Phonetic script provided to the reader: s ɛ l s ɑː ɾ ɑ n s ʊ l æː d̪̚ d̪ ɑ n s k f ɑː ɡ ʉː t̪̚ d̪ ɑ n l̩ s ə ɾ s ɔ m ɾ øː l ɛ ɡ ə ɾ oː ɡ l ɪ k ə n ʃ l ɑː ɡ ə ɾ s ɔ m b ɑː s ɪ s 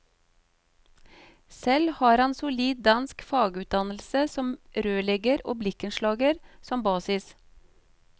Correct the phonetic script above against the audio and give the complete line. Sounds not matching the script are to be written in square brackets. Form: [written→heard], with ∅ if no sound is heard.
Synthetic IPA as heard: s ɛ l [s→h] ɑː ɾ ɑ n s ʊ l [æː→iː] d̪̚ d̪ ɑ n s k f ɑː ɡ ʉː t̪̚ d̪ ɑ n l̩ s ə [ɾ→∅] s ɔ m ɾ øː l ɛ ɡ ə ɾ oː [ɡ→b] l ɪ k ə n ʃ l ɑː ɡ ə ɾ s ɔ m b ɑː s ɪ s